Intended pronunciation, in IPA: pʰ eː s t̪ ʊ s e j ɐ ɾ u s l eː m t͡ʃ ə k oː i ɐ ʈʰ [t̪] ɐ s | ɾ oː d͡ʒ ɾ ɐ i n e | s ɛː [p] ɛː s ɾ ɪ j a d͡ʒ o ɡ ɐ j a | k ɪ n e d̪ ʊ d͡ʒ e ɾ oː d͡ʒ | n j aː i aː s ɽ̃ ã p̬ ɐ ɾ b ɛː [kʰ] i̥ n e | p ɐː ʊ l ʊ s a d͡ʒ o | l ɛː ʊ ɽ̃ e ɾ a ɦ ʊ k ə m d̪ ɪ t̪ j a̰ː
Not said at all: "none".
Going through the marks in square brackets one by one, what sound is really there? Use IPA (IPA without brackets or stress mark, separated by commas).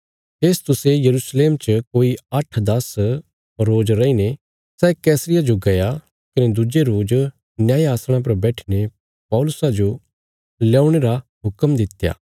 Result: d̪, k, ʈʰ